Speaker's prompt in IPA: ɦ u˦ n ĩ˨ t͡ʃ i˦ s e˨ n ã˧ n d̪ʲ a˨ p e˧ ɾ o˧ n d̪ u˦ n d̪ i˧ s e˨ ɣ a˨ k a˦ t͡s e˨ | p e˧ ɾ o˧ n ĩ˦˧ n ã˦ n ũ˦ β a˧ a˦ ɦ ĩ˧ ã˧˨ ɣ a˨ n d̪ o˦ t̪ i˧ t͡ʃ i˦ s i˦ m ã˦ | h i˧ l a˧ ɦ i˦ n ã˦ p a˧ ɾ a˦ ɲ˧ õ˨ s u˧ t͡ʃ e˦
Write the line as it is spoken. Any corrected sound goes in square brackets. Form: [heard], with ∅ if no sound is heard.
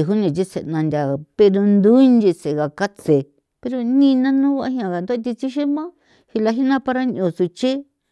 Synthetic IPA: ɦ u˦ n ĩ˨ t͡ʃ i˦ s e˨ n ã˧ n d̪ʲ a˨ p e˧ ɾ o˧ n d̪ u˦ n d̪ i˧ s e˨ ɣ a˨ k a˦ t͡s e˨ | p e˧ ɾ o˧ n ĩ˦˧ n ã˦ n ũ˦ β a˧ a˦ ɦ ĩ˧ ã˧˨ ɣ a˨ n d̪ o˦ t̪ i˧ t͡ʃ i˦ [ʃ] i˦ m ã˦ | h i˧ l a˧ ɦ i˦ n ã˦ p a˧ ɾ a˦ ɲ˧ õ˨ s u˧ t͡ʃ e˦